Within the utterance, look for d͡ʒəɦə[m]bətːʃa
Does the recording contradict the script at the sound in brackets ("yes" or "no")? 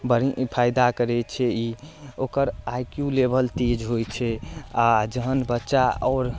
yes